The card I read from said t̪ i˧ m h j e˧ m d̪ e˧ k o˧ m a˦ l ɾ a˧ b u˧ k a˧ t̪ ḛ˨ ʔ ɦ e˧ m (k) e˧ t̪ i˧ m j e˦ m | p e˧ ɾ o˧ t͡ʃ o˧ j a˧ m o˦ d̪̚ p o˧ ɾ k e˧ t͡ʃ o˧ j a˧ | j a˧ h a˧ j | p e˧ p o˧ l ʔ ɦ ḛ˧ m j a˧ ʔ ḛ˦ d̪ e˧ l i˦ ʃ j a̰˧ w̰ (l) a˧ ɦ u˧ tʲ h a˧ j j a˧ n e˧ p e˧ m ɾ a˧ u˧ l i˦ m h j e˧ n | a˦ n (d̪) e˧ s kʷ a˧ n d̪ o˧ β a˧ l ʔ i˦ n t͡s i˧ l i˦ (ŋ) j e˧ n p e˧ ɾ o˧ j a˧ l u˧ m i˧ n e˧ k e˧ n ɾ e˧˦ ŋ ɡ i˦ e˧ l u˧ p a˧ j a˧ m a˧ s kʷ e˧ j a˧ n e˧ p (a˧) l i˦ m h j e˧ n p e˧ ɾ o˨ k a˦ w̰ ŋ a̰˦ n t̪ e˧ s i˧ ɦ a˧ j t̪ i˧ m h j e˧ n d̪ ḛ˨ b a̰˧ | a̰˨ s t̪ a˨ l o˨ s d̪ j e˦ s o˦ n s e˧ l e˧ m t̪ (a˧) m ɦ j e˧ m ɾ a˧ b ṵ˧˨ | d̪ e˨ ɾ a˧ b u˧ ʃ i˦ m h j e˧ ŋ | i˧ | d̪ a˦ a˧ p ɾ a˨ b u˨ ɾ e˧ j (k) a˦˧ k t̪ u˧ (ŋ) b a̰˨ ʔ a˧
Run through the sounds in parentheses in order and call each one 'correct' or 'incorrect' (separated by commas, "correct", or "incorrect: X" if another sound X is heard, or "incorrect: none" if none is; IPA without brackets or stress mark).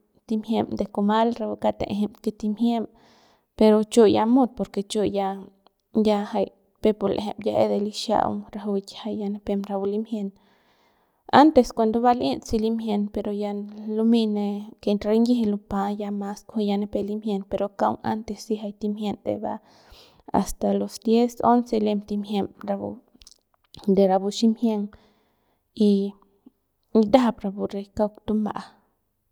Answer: correct, incorrect: ɾ, incorrect: t̪, incorrect: m, incorrect: e˧, incorrect: i˧, correct, incorrect: m